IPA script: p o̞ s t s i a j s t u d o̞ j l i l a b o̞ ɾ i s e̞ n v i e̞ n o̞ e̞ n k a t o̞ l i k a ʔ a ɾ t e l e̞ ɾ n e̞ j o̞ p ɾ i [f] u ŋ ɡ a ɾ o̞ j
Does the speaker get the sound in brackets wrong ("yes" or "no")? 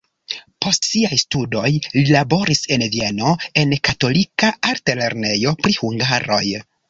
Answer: yes